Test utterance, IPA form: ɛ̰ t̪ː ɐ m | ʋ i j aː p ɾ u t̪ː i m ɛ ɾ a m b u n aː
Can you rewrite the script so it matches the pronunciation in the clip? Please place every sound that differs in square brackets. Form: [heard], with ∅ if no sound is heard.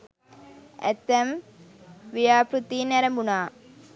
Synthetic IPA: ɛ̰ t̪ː ɐ m | ʋ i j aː p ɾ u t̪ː i [n] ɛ ɾ [ɐ] m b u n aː